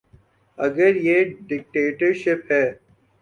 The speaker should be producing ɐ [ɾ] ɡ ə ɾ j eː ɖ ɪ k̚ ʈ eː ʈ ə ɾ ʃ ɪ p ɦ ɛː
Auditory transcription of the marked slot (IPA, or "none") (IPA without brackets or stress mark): none